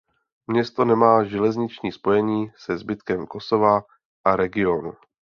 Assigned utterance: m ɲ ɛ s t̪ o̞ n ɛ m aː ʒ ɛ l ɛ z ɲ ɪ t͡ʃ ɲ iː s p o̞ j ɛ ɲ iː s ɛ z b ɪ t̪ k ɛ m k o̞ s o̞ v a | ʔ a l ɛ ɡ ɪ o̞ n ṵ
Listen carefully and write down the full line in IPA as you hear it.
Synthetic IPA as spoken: m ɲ ɛ s t̪ o̞ n ɛ m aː ʒ ɛ l ɛ z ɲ ɪ t͡ʃ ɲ iː s p o̞ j ɛ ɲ iː s ɛ z b ɪ t̪ k ɛ m k o̞ s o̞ v a | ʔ a ɾ ɛ ɡ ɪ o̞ n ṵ